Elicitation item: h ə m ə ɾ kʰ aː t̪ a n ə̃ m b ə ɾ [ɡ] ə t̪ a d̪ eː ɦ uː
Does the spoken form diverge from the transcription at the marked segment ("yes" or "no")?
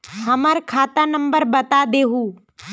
yes